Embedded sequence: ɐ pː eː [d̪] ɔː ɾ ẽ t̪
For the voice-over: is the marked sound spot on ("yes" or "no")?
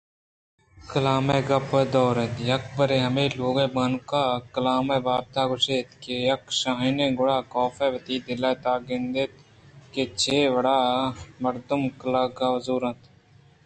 yes